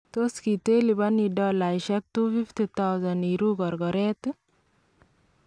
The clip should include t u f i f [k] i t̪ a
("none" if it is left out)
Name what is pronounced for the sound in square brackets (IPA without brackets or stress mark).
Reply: t